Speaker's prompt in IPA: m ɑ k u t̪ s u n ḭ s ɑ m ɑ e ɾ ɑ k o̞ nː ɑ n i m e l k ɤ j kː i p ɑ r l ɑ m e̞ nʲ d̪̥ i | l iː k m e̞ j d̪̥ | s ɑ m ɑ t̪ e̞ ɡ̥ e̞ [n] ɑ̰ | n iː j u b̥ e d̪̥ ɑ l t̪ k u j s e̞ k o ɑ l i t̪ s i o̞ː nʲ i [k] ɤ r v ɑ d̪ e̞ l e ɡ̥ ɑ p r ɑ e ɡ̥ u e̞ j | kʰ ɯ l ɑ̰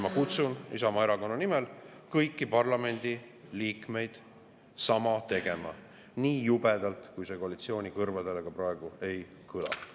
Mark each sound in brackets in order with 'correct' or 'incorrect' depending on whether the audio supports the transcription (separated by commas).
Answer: incorrect, correct